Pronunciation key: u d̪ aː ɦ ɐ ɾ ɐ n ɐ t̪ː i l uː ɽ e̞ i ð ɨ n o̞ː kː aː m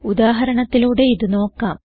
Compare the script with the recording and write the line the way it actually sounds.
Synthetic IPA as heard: u d̪ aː ɦ ɐ ɾ ɐ ɳ ɐ t̪ː i l uː ɽ e̞ i ð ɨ n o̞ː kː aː m